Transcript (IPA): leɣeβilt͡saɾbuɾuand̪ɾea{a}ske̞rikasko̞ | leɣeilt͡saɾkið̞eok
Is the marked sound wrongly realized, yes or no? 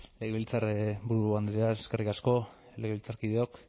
yes